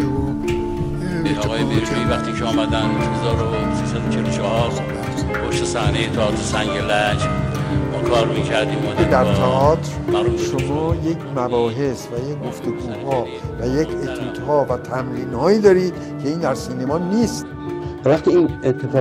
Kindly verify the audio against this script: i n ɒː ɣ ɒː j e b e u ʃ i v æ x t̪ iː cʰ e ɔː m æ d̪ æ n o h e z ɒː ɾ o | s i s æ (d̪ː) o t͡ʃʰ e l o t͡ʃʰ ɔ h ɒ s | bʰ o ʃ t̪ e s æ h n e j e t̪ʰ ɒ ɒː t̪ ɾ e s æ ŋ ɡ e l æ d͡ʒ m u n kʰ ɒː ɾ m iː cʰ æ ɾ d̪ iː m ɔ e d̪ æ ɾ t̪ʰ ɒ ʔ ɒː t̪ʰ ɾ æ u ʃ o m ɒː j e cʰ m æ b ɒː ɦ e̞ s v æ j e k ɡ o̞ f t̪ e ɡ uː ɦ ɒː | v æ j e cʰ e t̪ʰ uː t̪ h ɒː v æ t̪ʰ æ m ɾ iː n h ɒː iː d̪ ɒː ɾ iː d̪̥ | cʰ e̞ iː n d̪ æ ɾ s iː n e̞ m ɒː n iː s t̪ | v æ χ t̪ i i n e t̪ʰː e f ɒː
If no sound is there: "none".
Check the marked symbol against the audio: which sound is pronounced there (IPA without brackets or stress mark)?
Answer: d̪